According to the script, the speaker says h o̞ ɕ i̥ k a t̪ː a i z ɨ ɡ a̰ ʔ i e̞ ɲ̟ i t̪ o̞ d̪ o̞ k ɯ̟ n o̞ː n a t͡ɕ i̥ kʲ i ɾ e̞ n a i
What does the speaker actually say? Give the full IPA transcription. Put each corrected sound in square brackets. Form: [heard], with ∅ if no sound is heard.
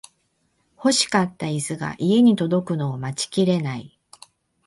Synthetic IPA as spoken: h o̞ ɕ i̥ k a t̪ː a i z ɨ ɡ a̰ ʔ i e̞ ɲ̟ i t̪ o̞ d̪ o̞ k ɯ̟ n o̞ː [m] a t͡ɕ i̥ kʲ i ɾ e̞ n a i